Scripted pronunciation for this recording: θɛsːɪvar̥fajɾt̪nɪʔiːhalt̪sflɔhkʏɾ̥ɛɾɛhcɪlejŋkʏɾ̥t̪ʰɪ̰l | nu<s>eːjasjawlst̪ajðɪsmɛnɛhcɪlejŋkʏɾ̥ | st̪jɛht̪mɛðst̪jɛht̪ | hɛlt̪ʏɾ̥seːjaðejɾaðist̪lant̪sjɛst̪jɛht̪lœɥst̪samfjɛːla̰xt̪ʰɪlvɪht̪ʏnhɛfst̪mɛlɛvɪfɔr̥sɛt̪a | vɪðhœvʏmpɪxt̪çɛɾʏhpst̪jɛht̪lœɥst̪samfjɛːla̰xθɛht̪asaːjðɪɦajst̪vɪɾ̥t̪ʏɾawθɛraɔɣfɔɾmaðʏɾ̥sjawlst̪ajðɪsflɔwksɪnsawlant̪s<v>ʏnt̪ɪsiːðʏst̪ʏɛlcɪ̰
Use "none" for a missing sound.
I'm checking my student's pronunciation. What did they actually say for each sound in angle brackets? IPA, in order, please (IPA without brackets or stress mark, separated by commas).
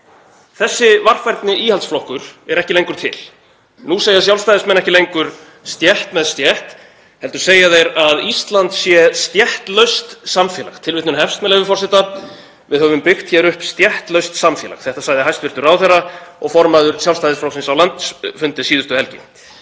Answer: s, f